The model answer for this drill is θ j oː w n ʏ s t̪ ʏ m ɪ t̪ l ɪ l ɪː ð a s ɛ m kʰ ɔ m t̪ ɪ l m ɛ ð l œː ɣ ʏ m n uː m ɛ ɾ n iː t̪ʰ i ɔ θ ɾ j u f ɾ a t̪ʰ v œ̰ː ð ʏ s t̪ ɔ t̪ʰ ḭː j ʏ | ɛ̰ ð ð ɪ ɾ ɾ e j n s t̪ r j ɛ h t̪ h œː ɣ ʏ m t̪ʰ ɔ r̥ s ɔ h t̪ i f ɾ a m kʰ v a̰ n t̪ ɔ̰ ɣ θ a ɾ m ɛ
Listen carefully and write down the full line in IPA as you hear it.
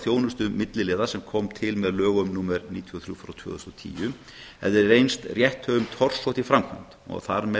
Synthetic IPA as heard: θ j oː w n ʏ s t̪ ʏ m ɪ t̪ l ɪ l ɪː ð a s ɛ m kʰ ɔ m t̪ʰ ɪ l m ɛ ð l œː ɣ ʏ m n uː m ɛ ɾ n iː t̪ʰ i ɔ θ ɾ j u f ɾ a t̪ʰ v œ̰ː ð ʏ s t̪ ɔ t̪ʰ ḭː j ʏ | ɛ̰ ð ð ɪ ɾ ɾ e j n s t̪ r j ɛ h t̪ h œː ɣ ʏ m t̪ʰ ɔ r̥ s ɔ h t̪ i f ɾ a m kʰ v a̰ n t̪ ɔ̰ ɣ θ a ɾ m ɛ